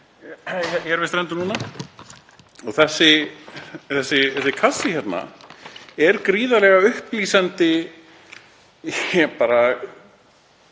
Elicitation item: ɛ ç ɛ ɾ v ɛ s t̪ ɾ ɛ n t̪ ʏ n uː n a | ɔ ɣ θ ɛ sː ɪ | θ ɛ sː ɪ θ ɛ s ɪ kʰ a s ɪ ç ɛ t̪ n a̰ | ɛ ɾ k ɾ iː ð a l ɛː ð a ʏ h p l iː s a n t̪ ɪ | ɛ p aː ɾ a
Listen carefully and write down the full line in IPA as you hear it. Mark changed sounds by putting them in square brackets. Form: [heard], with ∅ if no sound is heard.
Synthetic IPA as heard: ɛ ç ɛ ɾ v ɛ s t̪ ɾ ɛ n t̪ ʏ n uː n a | ɔ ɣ θ ɛ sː ɪ | θ ɛ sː ɪ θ ɛ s ɪ kʰ a s ɪ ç ɛ t̪ n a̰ | ɛ ɾ k ɾ iː ð a l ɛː [ɣ] a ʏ h p l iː s a n t̪ ɪ | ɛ p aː ɾ a